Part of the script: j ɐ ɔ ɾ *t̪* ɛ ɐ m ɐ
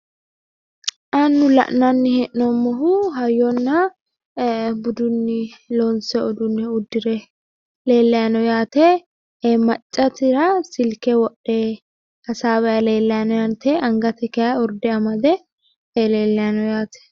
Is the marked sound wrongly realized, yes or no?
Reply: yes